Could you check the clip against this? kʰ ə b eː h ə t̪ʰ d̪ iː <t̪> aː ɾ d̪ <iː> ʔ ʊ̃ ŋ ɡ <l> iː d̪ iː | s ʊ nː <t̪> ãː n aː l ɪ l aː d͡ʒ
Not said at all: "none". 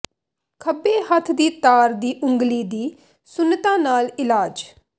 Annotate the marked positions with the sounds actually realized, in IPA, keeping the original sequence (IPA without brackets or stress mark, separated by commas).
t̪, iː, l, t̪